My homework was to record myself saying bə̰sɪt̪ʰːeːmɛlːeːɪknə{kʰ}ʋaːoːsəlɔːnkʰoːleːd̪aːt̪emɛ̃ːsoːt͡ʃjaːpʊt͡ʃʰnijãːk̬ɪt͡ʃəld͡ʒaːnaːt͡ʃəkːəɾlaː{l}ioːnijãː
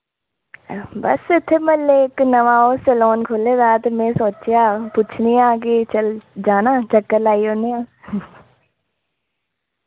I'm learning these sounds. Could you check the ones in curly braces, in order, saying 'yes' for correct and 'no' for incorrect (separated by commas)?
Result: no, no